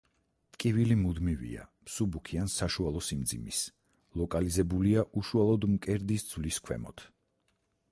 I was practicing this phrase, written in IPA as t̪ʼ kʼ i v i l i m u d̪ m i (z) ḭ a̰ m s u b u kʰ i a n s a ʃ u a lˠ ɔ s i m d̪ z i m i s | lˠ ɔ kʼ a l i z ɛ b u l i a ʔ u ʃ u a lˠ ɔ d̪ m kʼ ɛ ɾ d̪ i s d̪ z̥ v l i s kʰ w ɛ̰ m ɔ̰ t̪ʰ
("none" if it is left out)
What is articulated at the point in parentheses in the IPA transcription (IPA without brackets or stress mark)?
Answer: v